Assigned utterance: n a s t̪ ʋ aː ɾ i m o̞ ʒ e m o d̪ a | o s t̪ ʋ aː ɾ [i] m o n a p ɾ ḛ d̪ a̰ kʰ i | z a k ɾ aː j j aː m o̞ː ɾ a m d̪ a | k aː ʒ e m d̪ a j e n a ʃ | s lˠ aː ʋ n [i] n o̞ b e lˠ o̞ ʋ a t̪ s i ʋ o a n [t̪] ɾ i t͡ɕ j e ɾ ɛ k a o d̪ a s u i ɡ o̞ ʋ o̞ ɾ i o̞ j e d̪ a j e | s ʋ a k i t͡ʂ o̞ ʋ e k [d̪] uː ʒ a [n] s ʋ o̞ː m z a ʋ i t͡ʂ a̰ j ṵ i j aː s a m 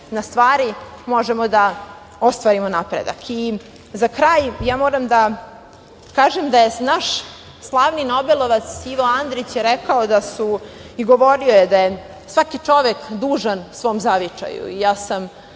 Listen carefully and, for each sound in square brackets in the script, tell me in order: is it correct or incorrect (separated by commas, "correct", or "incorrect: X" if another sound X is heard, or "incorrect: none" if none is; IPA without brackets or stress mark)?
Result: correct, correct, incorrect: d̪, correct, correct